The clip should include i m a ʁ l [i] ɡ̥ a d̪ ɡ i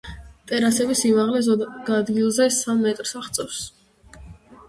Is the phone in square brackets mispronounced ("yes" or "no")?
yes